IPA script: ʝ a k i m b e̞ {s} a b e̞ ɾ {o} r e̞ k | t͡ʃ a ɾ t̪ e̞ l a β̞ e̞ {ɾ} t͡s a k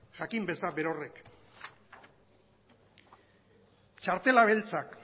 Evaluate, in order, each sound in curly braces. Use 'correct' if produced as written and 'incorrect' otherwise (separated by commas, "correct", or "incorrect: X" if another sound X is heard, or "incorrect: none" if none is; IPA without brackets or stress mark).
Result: correct, correct, incorrect: l